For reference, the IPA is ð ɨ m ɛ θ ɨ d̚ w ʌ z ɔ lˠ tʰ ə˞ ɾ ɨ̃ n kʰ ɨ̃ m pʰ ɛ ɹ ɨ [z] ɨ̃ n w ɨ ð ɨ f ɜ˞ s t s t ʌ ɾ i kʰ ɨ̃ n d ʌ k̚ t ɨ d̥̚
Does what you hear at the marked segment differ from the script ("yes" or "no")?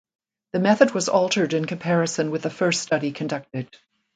yes